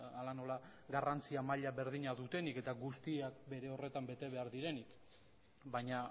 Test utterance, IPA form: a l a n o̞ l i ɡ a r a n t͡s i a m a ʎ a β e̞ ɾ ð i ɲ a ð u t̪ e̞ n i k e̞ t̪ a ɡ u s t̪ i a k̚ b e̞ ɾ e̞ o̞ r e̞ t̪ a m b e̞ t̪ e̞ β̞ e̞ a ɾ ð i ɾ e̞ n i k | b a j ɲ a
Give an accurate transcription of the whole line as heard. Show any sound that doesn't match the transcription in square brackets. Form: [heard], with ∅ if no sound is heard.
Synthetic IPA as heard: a l a n o̞ l [a] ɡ a r a n t͡s i a m a ʎ a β e̞ ɾ ð i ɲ a ð u t̪ e̞ n i k e̞ t̪ a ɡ u s t̪ i a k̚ b e̞ ɾ e̞ o̞ r e̞ t̪ a m b e̞ t̪ e̞ β̞ e̞ a ɾ ð i ɾ e̞ n i k | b a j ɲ a